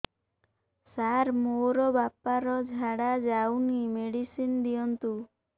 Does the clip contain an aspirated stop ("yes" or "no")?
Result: no